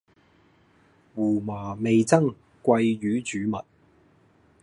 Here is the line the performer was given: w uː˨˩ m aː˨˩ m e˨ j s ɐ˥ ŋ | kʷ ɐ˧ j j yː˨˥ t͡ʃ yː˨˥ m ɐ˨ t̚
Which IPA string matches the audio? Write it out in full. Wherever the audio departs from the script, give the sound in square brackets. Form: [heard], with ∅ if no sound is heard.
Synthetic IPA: w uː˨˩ m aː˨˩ m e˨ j [t͡s] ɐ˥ ŋ | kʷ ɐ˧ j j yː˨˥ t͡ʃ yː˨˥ m ɐ˨ t̚